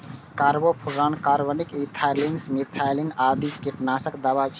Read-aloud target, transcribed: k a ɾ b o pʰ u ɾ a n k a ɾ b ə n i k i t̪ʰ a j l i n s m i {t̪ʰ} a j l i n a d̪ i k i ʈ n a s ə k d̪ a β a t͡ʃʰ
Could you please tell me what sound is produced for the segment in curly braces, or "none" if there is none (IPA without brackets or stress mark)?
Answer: t̪ʰ